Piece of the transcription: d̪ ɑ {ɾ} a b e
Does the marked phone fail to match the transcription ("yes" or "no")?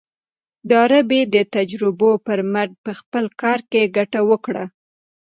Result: no